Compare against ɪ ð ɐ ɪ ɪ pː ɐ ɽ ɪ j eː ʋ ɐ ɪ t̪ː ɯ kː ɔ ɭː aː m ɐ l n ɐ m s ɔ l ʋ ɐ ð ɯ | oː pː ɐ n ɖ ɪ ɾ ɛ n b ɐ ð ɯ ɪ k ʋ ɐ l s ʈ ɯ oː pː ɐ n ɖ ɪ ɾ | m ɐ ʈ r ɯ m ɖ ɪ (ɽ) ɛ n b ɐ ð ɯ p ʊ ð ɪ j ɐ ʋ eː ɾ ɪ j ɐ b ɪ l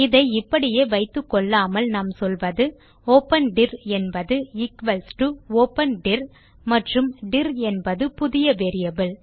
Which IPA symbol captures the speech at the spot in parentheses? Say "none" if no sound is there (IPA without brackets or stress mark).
ɾ